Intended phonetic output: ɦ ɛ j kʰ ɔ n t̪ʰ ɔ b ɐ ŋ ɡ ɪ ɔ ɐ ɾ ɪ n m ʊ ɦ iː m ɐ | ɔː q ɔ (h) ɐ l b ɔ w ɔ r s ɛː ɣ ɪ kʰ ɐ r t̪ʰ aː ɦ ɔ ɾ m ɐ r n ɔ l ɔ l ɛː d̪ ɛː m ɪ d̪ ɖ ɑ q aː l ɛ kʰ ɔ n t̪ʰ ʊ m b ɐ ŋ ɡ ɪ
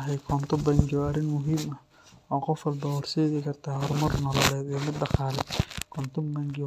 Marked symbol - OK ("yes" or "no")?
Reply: no